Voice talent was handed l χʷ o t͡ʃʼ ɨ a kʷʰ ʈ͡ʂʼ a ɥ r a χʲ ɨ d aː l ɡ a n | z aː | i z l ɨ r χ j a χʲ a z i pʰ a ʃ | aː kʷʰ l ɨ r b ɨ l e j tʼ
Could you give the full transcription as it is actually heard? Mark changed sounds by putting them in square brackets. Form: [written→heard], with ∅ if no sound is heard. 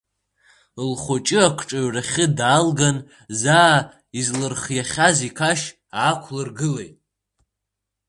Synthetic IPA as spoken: l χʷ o t͡ʃʼ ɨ a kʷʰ ʈ͡ʂʼ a ɥ r a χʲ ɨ d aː l ɡ a n | z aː | i z l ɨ r χ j a χʲ a z i [pʰ→kʰ] a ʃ | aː kʷʰ l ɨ r [b→ɡ] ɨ l e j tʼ